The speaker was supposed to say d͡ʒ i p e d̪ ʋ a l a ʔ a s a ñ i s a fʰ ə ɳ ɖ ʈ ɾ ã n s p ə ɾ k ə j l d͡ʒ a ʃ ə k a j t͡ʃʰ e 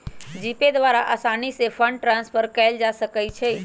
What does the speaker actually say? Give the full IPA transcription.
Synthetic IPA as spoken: d͡ʒ i p e d̪ ʋ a ɾ a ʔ a s a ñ i s e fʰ ə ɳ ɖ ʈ ɾ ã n s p ə ɾ k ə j l d͡ʒ a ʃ ə k a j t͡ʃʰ e